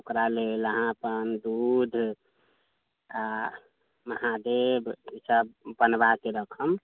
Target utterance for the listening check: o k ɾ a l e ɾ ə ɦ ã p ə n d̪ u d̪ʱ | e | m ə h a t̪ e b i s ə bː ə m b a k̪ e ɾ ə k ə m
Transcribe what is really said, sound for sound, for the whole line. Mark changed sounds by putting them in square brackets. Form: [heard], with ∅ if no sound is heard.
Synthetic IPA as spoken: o k ɾ a l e [l] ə ɦ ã p ə n d̪ u d̪ʱ | [a] | m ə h a [d̪] e b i s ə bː ə [n] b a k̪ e ɾ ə [kʰ] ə m

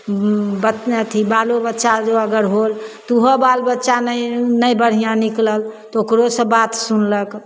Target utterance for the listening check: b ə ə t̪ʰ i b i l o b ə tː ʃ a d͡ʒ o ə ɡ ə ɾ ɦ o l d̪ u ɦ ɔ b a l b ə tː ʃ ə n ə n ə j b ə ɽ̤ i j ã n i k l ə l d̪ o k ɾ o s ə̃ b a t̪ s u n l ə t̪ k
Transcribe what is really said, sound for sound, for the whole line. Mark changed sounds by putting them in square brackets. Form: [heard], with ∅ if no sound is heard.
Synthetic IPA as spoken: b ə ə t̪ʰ i b [a] l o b ə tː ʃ a d͡ʒ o ə ɡ ə ɾ ɦ o l [t̪] u ɦ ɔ b a l b ə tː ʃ [a] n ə n ə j b ə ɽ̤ i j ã n i k l ə l [t̪] o k ɾ o s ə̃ b a t̪ s u n l ə [∅] k

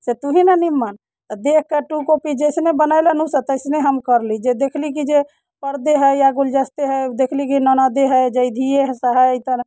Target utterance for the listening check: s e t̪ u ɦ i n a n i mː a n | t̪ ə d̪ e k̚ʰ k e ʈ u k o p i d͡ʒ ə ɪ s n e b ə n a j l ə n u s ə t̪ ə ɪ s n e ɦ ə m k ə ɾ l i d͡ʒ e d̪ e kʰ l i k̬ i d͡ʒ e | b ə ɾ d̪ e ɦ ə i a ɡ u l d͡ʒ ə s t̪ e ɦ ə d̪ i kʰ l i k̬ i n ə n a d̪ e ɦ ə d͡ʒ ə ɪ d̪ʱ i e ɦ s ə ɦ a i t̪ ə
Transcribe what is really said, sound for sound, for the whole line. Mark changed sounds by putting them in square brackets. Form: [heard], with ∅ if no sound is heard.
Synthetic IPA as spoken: s e t̪ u ɦ i n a n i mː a n | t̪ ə d̪ e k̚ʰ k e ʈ u k o p i d͡ʒ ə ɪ s n e b ə n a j l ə n u s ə t̪ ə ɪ s n e ɦ ə m k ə ɾ l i d͡ʒ e d̪ e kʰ l i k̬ i d͡ʒ e | [p] ə ɾ d̪ e ɦ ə [j] a ɡ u l d͡ʒ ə s t̪ e ɦ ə d̪ [e] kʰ l i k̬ i n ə n a d̪ e ɦ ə d͡ʒ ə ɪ d̪ʱ i e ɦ s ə ɦ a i t̪ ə

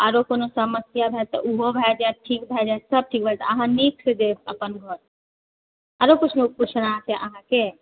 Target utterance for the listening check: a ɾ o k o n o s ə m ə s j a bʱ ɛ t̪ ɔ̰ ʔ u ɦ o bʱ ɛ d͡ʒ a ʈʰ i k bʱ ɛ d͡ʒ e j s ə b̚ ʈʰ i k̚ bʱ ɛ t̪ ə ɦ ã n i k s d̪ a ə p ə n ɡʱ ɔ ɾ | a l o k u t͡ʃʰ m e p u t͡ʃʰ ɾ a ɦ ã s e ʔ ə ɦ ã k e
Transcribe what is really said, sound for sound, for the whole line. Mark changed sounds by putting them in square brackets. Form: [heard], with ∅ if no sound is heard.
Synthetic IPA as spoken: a ɾ o k o n o s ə m ə s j a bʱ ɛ t̪ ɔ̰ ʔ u ɦ o bʱ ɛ d͡ʒ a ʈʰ i k bʱ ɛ d͡ʒ [a] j s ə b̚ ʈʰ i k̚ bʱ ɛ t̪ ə ɦ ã n i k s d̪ [e] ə p ə n ɡʱ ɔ ɾ | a [ɾ] o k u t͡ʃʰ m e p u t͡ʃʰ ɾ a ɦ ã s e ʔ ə ɦ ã k e

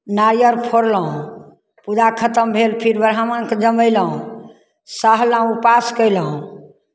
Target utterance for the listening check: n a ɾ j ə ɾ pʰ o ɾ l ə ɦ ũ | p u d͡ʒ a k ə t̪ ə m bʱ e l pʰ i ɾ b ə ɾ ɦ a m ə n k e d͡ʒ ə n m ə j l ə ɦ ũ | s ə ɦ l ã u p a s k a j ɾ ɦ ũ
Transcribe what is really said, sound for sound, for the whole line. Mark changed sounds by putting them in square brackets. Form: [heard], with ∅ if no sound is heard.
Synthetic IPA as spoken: n a ɾ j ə ɾ pʰ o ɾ l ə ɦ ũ | p u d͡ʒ a [kʰ] ə t̪ ə m bʱ e l pʰ i ɾ b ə ɾ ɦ a m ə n k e d͡ʒ ə [∅] m ə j l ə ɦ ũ | s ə ɦ l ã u p a s k [ə] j [l] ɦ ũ

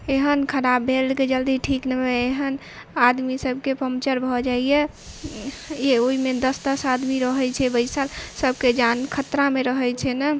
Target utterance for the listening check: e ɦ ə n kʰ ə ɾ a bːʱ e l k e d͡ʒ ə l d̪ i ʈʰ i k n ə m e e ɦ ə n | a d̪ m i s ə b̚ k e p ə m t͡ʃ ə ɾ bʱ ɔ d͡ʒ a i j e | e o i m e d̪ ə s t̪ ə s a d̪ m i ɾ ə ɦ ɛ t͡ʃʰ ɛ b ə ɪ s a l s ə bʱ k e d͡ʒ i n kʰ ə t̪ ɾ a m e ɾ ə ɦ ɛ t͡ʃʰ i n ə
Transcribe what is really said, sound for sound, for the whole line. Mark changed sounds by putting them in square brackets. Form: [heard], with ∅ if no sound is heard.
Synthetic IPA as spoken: e ɦ ə n kʰ ə ɾ a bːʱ e l k e d͡ʒ ə l d̪ i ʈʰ i k n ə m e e ɦ ə n | a d̪ m i s ə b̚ k e p ə m t͡ʃ ə ɾ bʱ ɔ d͡ʒ a i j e | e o i m e d̪ ə s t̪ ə s a d̪ m i ɾ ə ɦ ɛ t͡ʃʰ ɛ b ə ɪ s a l s ə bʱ k e d͡ʒ [a] n kʰ ə t̪ ɾ a m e ɾ ə ɦ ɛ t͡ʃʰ [ɛ] n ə

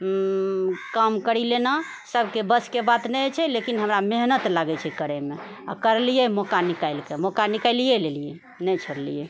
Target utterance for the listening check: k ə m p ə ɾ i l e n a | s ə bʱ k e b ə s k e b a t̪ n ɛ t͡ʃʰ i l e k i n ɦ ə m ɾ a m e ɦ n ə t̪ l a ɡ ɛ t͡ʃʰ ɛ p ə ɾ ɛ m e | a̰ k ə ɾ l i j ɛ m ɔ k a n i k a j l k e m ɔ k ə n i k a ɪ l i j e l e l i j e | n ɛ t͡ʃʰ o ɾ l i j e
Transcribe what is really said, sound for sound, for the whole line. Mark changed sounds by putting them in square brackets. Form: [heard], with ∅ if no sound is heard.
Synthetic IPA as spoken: k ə m [k] ə ɾ i l e n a | s ə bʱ k e b ə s k e b a t̪ n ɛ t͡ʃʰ [ɛ] l e k i n ɦ ə m ɾ a m e ɦ n ə t̪ l a ɡ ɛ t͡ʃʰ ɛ [k] ə ɾ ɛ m e | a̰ k ə ɾ l i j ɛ m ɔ k a n i k a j l k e m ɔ k [a] n i k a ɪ l i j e l e l i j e | n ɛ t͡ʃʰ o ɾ l i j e

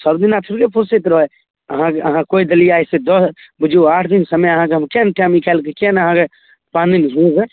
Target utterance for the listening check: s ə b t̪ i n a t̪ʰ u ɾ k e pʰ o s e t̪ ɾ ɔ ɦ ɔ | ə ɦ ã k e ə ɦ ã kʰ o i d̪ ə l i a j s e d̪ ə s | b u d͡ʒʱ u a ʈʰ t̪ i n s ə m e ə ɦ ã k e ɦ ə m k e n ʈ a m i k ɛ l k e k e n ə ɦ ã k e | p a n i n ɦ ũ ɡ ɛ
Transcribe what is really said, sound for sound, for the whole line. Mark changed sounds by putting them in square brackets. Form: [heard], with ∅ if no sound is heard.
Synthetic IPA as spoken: s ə b [d̪] i n a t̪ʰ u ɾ k e pʰ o s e t̪ ɾ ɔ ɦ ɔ | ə ɦ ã k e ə ɦ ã [k] o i d̪ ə l i a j s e d̪ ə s | b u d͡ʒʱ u a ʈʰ [d̪] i n s ə m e ə ɦ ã k e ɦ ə m k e n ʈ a m i k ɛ l k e k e n ə ɦ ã k e | p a n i n ɦ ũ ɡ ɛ

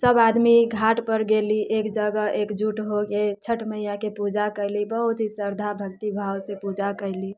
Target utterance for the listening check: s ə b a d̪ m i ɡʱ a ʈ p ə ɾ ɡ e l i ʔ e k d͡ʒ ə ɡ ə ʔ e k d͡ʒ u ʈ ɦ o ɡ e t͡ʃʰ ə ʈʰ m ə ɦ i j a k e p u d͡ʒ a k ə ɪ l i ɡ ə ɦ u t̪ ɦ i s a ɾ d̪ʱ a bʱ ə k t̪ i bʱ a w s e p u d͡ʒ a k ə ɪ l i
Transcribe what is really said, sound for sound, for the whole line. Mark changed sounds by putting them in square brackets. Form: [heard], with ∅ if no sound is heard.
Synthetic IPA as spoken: s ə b a d̪ m i ɡʱ a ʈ p ə ɾ ɡ e l i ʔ e k d͡ʒ ə ɡ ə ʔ e k d͡ʒ u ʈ ɦ o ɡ e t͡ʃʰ ə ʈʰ m ə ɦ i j a k e p u d͡ʒ a k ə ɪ l i [b] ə ɦ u t̪ ɦ i s [ə] ɾ d̪ʱ a bʱ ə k t̪ i bʱ a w s e p u d͡ʒ a k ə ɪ l i

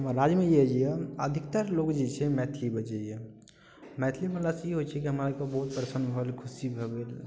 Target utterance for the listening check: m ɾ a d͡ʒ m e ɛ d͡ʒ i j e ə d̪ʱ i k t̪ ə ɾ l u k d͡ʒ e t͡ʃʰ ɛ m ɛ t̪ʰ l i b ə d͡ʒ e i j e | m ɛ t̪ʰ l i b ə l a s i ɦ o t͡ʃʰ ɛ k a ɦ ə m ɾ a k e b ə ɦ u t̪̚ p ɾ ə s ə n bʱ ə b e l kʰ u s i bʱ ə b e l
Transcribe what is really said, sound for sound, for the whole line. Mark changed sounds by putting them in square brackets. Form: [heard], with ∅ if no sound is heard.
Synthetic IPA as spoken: m ɾ a d͡ʒ m e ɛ d͡ʒ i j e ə d̪ʱ i k t̪ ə ɾ l [o] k d͡ʒ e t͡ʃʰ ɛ m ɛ t̪ʰ l i b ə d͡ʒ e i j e | m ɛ t̪ʰ l i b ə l a s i ɦ o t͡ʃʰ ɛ k [i] ɦ ə m ɾ a k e b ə ɦ u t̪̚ p ɾ ə s ə n bʱ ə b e l kʰ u s i bʱ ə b e l

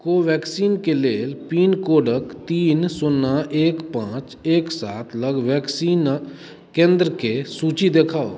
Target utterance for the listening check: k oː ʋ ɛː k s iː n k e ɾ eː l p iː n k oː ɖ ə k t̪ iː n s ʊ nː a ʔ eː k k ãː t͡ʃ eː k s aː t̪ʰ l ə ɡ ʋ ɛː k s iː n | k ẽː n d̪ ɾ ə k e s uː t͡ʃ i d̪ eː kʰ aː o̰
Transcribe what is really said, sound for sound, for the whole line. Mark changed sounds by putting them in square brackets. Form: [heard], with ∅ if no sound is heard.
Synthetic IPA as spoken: k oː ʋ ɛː k s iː n k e [l] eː l p iː n k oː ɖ ə k t̪ iː n s ʊ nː a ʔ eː k [p] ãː t͡ʃ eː k s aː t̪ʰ l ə ɡ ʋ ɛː k s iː n | k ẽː n d̪ ɾ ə k e s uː t͡ʃ i d̪ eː kʰ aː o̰

